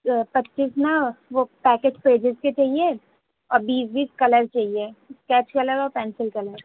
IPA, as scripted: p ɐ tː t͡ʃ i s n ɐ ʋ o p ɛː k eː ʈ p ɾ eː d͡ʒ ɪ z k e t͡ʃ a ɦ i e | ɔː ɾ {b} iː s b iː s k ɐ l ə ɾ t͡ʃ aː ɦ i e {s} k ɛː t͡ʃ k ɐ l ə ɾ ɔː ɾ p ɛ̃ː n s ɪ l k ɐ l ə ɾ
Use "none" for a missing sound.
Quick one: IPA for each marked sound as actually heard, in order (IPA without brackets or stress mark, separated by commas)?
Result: b, s